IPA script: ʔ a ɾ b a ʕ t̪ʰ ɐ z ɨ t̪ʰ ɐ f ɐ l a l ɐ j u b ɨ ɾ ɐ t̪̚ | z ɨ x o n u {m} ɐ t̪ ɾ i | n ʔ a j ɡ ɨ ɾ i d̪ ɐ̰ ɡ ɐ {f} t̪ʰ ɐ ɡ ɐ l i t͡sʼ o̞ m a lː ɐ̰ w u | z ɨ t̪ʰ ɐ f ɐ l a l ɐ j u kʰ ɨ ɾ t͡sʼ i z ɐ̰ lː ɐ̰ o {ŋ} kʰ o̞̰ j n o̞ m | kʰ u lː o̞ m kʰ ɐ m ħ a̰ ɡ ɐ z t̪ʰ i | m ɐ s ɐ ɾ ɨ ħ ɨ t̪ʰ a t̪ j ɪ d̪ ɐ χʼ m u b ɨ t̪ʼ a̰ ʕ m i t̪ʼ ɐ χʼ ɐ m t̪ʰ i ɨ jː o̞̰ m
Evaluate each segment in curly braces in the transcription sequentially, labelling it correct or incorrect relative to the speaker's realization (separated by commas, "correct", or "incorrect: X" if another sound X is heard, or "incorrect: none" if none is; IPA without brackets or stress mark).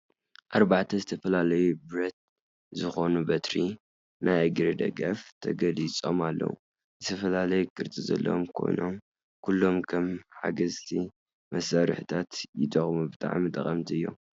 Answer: incorrect: b, correct, incorrect: m